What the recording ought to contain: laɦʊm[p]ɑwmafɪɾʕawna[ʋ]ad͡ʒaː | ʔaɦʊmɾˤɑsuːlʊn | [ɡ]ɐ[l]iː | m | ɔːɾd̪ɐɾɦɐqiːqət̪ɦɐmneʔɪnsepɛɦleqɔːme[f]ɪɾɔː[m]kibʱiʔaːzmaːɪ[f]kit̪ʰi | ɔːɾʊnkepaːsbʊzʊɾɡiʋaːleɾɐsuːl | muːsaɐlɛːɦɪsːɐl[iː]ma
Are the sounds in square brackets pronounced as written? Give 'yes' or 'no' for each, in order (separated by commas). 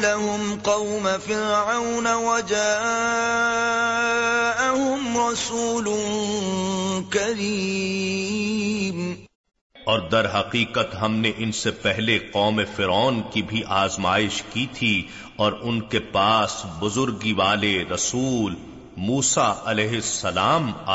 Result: no, no, no, no, yes, no, no, no